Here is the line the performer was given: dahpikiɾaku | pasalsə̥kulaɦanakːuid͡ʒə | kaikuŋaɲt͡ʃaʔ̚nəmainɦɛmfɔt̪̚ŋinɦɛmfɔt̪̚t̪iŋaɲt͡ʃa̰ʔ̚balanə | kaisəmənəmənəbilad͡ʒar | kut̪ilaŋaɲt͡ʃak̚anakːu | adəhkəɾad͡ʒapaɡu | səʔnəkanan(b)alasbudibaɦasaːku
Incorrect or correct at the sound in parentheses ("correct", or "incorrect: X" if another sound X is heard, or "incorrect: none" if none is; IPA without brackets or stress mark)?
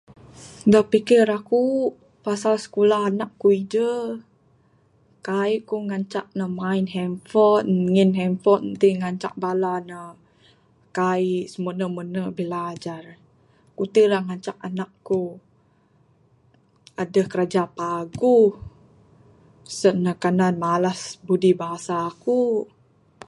incorrect: m